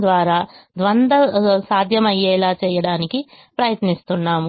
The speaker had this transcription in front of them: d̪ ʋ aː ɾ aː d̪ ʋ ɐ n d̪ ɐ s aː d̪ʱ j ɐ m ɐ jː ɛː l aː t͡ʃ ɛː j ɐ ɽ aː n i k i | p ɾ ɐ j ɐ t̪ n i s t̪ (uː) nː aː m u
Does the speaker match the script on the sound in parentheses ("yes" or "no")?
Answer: no